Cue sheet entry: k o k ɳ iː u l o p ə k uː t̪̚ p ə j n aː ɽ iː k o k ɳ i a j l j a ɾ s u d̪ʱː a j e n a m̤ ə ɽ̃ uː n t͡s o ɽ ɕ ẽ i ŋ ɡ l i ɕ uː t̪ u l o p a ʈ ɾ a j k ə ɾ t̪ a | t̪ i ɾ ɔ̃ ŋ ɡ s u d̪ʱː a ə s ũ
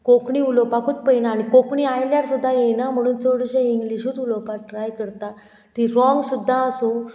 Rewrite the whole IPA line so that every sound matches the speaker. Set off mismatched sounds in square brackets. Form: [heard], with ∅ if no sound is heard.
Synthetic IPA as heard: k o k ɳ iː u l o p [a] k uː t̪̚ p ə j n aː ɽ [i] k o k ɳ i a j l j a ɾ s u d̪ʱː a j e n a m̤ ə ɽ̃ uː n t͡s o ɽ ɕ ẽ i ŋ ɡ l i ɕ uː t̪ u l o p a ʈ ɾ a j k ə ɾ t̪ a | t̪ i ɾ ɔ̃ ŋ ɡ s u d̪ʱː a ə s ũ

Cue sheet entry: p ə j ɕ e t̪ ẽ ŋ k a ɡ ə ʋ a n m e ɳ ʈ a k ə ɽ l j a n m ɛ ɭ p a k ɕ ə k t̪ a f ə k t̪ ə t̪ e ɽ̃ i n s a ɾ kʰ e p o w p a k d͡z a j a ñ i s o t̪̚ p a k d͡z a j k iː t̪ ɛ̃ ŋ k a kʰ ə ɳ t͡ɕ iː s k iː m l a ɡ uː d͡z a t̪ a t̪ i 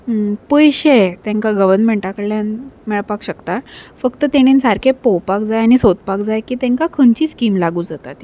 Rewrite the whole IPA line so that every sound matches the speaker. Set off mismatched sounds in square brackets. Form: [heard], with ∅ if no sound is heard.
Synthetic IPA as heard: p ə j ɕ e t̪ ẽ ŋ k a ɡ ə ʋ [ə] n m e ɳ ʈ a k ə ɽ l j a n m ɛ ɭ p a k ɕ ə k t̪ a f ə k t̪ ə t̪ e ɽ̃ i n s a ɾ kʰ e p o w p a k d͡z a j a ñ i s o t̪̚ p a k d͡z a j k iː t̪ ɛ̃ ŋ k a kʰ ə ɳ t͡ɕ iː s k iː m l a ɡ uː d͡z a t̪ a t̪ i

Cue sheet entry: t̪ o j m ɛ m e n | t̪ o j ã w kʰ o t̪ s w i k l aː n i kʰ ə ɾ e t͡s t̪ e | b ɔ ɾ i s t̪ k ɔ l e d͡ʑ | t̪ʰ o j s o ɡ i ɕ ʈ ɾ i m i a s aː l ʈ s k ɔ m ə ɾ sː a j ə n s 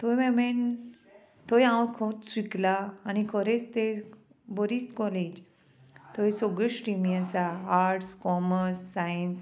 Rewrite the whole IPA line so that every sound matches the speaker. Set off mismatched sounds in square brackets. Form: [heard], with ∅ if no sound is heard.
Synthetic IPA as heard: t̪ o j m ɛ m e n | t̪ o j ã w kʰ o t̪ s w i k l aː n i kʰ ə ɾ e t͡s t̪ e | b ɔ ɾ i s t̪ k ɔ l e d͡ʑ | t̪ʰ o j s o ɡ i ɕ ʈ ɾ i m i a s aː [ɾ] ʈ s k ɔ m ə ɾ sː a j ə n s

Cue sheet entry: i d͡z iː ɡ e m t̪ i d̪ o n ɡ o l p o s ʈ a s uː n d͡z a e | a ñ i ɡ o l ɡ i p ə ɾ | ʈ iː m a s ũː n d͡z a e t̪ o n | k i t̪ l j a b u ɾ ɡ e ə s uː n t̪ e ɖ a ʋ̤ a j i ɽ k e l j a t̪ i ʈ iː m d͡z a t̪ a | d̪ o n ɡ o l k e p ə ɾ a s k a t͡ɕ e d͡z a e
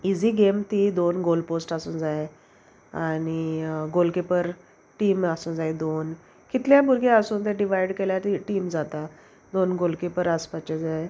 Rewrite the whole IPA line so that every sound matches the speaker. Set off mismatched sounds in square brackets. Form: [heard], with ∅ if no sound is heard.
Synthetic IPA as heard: i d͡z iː ɡ e m t̪ i d̪ o n ɡ o l p o s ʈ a s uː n d͡z a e | a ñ i ɡ o l [k] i p ə ɾ | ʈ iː m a s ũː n d͡z a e [d̪] o n | k i t̪ l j a b u ɾ ɡ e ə s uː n t̪ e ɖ [i] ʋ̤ a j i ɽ k e l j a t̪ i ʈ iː m d͡z a t̪ a | d̪ o n ɡ o l k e p ə ɾ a s [p] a t͡ɕ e d͡z a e

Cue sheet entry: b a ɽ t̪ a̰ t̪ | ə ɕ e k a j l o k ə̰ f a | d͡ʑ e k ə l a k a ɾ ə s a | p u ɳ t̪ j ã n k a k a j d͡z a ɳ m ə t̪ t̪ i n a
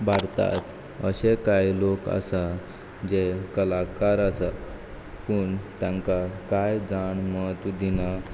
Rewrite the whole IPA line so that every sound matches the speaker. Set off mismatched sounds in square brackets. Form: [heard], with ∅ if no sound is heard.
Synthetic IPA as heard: b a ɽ t̪ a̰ t̪ | ə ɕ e k a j l o k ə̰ [s] a | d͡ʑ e k ə l a k a ɾ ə s a | p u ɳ t̪ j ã [ŋ] k a k a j d͡z a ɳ m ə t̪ [d̪] i n a

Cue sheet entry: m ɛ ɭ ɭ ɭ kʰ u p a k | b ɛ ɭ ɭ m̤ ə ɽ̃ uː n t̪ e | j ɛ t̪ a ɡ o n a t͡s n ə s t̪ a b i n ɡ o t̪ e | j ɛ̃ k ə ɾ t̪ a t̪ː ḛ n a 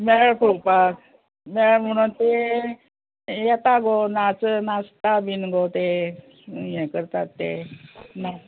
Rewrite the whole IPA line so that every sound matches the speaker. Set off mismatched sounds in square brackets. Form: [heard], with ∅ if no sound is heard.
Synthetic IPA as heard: m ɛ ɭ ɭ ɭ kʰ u p a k | [m] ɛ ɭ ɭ m̤ ə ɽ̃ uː n t̪ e | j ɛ t̪ a ɡ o n a t͡s n [a] s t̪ a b i n ɡ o t̪ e | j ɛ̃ k ə ɾ t̪ a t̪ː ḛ n a

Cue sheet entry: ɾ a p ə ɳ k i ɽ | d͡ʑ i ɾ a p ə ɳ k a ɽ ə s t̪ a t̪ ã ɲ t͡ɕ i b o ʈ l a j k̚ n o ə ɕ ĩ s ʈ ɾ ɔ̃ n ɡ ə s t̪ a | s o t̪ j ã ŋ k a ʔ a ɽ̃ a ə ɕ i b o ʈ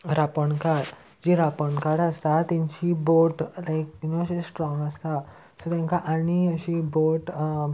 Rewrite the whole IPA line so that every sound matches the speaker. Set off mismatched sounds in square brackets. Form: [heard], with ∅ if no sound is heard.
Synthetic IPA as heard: ɾ a p ə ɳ k [a] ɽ | d͡ʑ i ɾ a p ə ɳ k a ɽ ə s t̪ a t̪ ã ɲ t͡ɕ i b o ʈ l a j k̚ n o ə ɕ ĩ s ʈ ɾ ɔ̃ [ŋ] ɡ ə s t̪ a | s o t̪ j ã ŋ k a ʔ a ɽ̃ [i] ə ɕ i b o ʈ

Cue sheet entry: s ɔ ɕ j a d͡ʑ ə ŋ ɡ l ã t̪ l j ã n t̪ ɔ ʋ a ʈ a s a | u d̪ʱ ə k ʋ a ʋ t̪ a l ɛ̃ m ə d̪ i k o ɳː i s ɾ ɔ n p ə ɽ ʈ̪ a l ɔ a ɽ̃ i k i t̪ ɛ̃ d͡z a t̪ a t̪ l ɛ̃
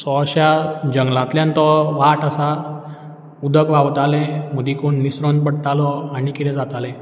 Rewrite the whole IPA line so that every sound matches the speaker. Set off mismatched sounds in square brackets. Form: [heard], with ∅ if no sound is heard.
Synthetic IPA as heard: s ɔ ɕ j a d͡ʑ ə ŋ ɡ l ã t̪ l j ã n t̪ ɔ ʋ a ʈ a s a | u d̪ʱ ə k ʋ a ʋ t̪ a l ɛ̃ m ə d̪ i k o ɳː i s ɾ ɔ n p ə ɽ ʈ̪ a l ɔ a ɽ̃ i k i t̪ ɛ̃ d͡z a t̪ a [∅] l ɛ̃

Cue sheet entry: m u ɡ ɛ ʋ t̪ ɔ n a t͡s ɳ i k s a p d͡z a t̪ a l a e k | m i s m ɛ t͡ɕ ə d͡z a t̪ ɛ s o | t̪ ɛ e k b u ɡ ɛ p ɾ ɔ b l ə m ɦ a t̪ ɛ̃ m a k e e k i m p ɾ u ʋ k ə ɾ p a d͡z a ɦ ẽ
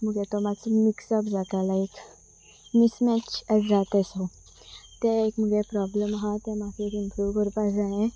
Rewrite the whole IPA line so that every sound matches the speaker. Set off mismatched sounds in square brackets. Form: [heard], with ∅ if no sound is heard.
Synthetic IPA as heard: m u ɡ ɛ [∅] t̪ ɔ [m] a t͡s [m] i k s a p d͡z a t̪ a l a e k | m i s m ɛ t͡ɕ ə d͡z a t̪ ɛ s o | t̪ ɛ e k [m] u ɡ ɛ p ɾ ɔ b l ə m ɦ a t̪ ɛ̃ m a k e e k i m p ɾ u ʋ k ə ɾ p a d͡z a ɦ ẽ

